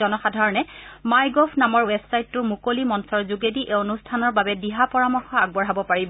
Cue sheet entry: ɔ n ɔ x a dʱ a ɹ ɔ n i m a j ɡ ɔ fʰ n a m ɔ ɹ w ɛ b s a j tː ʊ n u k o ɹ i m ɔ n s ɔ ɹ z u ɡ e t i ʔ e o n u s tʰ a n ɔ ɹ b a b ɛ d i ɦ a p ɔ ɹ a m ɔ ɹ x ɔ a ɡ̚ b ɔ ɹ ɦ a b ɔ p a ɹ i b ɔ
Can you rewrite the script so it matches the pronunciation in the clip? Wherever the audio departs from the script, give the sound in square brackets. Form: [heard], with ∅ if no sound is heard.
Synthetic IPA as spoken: ɔ n ɔ x a dʱ a ɹ ɔ n [ɛ] m a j ɡ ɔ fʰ n a m ɔ ɹ w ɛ b s a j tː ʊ [m] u k o [l] i m ɔ n s ɔ ɹ z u ɡ e [d] i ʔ e o n u s tʰ a n ɔ ɹ b a b ɛ d i ɦ a p ɔ ɹ a m ɔ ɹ x ɔ a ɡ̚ b ɔ ɹ ɦ a b ɔ p a ɹ i b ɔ